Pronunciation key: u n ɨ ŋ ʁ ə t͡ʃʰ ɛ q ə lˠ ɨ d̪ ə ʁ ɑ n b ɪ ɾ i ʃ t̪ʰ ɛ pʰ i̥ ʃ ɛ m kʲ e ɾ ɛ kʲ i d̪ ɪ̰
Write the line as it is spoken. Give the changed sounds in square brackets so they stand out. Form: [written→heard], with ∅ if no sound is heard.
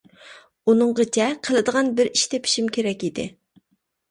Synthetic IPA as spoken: u n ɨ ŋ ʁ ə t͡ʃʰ ɛ [q→qʰ] ə lˠ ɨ d̪ ə ʁ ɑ n b ɪ ɾ i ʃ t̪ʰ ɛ pʰ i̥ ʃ [ɛ→i] m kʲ e ɾ ɛ kʲ i d̪ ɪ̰